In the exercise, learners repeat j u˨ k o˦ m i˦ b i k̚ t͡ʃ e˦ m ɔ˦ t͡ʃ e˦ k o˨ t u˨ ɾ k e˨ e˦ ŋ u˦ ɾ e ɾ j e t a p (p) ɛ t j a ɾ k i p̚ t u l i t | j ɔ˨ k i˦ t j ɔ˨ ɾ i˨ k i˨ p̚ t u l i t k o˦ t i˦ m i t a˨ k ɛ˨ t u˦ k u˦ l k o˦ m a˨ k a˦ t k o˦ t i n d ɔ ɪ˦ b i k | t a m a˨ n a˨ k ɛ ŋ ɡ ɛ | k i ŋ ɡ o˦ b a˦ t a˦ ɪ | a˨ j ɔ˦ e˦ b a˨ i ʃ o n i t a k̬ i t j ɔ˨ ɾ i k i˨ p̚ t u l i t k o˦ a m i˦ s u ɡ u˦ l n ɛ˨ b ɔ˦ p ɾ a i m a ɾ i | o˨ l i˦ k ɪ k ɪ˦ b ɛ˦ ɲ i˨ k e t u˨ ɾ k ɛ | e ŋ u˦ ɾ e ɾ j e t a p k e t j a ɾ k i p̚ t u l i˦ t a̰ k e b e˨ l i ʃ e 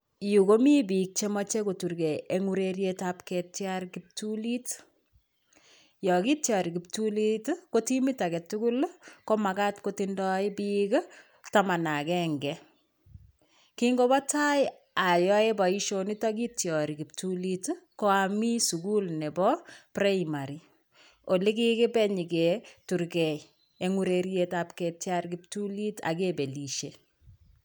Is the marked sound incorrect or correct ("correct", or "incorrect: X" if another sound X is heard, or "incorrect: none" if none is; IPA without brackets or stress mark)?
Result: incorrect: k